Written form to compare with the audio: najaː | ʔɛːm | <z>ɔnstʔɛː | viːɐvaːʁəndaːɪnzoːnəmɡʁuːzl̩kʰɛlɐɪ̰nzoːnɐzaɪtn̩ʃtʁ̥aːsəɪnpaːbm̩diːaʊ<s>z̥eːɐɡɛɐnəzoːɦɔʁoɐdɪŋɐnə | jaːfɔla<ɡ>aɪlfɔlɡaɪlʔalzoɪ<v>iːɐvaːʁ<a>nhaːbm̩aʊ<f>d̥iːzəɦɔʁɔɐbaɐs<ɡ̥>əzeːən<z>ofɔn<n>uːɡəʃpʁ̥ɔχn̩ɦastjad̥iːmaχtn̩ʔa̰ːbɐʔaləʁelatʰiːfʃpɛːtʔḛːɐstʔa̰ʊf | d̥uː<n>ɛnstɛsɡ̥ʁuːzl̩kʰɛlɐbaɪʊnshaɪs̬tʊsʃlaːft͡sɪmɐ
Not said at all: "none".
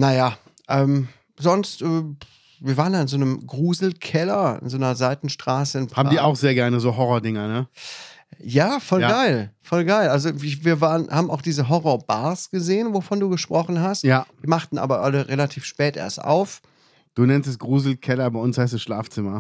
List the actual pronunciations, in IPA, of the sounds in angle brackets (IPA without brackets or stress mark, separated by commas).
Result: z, x, ɡ, v, ə, x, ɡ̥, v, d, n